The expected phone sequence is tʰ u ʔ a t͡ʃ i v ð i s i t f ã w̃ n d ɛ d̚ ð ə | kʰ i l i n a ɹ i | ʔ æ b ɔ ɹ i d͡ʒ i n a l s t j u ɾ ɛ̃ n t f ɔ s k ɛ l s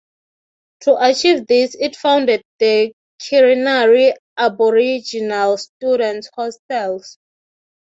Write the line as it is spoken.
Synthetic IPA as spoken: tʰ u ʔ a t͡ʃ i v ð i s i t f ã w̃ n d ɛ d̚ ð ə | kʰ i ɹ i n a ɹ i | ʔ a b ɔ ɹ i d͡ʒ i n a l s t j u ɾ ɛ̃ n t h ɔ s t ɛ l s